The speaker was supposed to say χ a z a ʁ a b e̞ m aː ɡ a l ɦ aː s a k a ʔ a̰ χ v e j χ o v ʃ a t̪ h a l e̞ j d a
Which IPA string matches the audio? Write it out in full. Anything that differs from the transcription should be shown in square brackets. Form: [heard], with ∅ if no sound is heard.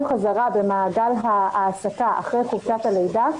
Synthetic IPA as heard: χ a z a ʁ a b e̞ m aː ɡ a l ɦ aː s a k a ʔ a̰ χ [ʁ] e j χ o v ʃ a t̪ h a l e̞ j d a